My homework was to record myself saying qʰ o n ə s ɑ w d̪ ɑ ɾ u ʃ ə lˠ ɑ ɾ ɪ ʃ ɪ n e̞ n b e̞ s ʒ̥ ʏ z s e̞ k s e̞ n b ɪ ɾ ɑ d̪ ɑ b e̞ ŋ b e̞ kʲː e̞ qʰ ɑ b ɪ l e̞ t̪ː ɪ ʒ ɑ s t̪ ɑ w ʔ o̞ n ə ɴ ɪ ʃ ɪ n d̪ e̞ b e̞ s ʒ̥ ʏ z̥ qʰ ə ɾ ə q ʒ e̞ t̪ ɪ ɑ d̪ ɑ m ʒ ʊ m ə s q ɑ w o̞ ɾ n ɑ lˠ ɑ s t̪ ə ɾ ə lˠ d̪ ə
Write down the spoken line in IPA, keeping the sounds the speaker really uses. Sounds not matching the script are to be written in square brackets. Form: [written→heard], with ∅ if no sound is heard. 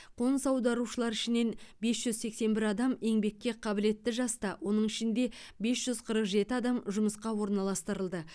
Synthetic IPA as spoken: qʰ o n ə s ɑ w d̪ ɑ ɾ u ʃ ə lˠ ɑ ɾ ɪ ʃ ɪ n e̞ n b e̞ s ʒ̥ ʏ z s e̞ k s e̞ n b ɪ ɾ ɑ d̪ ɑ [b→m] e̞ ŋ b e̞ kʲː e̞ qʰ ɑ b ɪ l e̞ t̪ː ɪ ʒ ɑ s t̪ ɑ w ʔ o̞ n ə ɴ ɪ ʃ ɪ n d̪ e̞ b e̞ s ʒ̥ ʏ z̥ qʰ ə ɾ ə q ʒ e̞ t̪ ɪ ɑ d̪ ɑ m ʒ ʊ m ə s q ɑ w o̞ ɾ n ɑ lˠ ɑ s t̪ ə ɾ ə lˠ d̪ ə